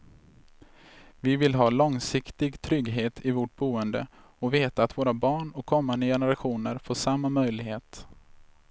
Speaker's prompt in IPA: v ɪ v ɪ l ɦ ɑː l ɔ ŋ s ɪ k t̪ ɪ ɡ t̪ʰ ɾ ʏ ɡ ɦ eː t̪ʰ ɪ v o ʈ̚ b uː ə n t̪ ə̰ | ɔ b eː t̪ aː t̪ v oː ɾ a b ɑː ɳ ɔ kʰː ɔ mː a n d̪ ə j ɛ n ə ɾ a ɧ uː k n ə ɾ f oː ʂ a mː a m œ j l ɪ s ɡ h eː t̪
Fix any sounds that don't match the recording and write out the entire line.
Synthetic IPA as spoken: v ɪ v ɪ l ɦ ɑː l ɔ ŋ s ɪ k t̪ ɪ ɡ t̪ʰ ɾ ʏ ɡ ɦ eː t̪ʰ ɪ v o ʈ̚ b uː ə n d̪ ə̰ | ɔ v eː t̪ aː t̪ v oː ɾ a b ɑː ɳ ɔ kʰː ɔ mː a n d̪ ə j ɛ n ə ɾ a ɧ uː n ə ɾ f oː ʂ a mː a m œ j l ɪ ɡ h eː t̪